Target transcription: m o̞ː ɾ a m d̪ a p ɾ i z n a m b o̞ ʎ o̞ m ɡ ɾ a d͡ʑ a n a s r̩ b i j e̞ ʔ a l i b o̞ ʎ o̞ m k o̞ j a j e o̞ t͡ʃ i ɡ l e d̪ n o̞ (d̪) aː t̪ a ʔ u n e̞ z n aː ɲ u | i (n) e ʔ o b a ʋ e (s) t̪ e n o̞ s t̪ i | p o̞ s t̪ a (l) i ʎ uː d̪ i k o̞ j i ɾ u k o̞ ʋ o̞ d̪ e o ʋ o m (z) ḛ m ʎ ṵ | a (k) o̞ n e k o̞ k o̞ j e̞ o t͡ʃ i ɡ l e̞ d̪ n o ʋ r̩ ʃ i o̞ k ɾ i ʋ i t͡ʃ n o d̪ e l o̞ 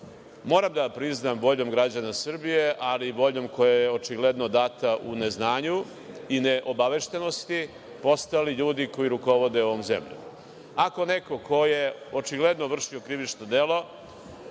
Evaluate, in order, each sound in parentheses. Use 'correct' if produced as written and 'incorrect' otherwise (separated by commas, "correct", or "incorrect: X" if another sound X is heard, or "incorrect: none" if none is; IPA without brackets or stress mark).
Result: correct, correct, incorrect: ʃ, correct, correct, correct